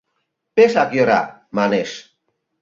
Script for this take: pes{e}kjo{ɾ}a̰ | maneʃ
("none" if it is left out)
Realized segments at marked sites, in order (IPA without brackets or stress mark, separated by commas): a, ɾ